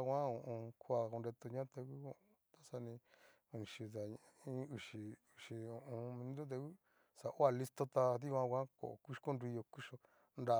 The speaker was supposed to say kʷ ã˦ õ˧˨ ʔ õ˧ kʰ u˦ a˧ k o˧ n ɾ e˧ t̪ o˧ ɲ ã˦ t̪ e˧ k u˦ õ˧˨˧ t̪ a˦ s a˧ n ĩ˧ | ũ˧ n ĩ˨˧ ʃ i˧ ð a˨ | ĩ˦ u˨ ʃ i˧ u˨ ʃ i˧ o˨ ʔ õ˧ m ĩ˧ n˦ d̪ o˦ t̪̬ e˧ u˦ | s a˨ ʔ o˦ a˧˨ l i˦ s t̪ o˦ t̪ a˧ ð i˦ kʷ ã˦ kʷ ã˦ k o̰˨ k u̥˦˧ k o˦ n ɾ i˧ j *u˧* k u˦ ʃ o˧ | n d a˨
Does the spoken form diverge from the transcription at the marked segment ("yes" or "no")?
yes